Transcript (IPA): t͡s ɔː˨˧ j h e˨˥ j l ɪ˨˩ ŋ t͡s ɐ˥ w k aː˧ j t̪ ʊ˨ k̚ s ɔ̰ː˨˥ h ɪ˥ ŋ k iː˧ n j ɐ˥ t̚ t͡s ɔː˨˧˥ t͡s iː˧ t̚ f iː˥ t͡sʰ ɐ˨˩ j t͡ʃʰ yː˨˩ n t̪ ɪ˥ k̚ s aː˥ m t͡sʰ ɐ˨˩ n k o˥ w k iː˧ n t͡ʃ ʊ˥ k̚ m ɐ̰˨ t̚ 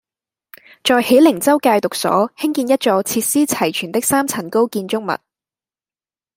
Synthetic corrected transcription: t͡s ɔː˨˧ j h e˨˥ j l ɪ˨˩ ŋ t͡s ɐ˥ w k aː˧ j t̪ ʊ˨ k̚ s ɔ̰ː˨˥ h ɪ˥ ŋ k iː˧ n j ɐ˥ t̚ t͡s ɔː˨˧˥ t͡sʰ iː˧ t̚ s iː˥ t͡sʰ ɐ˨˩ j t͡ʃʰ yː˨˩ n t̪ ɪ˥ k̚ s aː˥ m t͡sʰ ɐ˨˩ n k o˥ w k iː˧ n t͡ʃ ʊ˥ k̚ m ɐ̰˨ t̚

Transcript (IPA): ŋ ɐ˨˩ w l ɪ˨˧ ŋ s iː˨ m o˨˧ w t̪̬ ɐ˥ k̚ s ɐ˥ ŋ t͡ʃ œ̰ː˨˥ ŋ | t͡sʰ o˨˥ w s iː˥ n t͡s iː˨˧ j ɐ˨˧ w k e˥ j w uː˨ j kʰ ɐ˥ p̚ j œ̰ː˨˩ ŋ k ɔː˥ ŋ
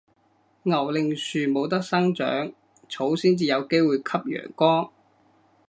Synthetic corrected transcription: ŋ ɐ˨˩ w l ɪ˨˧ ŋ s yː˨ m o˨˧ w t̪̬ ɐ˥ k̚ s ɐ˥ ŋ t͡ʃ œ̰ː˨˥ ŋ | t͡sʰ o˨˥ w s iː˥ n t͡s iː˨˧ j ɐ˨˧ w k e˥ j w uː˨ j kʰ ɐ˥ p̚ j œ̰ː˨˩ ŋ k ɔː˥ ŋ

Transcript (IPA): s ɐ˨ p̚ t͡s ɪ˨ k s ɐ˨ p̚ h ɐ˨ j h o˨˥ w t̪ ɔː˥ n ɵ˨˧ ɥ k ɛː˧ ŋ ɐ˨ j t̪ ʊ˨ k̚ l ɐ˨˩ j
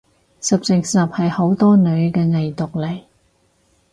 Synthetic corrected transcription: s ɐ˨ p̚ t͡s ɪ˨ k s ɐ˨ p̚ h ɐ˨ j h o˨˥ w t̪ ɔː˥ n ɵ˨˧ ɥ k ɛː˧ ŋ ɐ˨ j t̪ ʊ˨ k̚ l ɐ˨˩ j

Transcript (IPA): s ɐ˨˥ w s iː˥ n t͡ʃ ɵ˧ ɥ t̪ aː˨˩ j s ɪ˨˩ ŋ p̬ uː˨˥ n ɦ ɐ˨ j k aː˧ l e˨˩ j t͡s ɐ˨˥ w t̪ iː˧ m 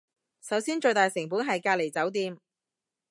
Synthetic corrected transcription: s ɐ˨˥ w s iː˥ n t͡ʃ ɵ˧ ɥ t̪ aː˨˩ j s ɪ˨˩ ŋ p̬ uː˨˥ n ɦ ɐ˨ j k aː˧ l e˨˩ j t͡s ɐ˨˥ w t̪ iː˧ m

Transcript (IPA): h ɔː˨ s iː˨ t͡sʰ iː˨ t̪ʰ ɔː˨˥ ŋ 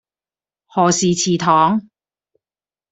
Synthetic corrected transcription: h ɔː˨ s iː˨ t͡sʰ iː˨ t̪ʰ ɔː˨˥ ŋ

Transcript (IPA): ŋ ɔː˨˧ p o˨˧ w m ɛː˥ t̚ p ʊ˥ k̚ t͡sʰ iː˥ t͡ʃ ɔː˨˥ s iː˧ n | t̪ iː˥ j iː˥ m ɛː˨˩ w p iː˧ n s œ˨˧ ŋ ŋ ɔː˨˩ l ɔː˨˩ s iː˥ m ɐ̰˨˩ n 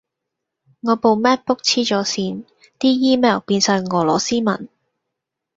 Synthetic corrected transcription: ŋ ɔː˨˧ p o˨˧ w m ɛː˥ t̚ p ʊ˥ k̚ t͡sʰ iː˥ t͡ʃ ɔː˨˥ s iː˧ n | t̪ iː˥ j iː˥ m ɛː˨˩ w p iː˧ n s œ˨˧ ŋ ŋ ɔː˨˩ l ɔː˨˩ s iː˥ m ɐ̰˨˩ n

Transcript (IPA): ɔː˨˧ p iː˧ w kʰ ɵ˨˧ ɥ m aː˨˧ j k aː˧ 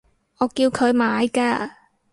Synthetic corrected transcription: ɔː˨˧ k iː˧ w kʰ ɵ˨˧ ɥ m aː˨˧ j k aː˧

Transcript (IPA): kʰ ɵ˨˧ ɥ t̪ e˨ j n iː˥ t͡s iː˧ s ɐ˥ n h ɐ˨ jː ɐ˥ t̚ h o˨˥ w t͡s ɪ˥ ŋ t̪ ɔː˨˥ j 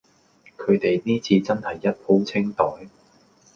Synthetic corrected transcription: kʰ ɵ˨˧ ɥ t̪ e˨ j n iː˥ t͡sʰ iː˧ t͡s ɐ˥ n h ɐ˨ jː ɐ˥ t̚ h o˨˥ w t͡sʰ ɪ˥ ŋ t̪ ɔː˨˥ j

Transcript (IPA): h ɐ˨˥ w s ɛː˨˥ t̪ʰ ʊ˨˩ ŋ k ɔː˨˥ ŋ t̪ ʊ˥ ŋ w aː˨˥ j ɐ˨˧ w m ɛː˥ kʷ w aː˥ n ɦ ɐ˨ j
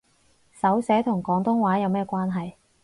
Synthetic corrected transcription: s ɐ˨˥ w s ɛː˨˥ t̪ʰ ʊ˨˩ ŋ k ɔː˨˥ ŋ t̪ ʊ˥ ŋ w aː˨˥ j ɐ˨˧ w m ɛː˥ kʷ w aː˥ n ɦ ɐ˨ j

